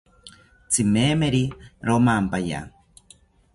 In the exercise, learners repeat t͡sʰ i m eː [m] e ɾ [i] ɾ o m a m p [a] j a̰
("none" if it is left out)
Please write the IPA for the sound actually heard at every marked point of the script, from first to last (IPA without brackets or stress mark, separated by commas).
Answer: m, i, a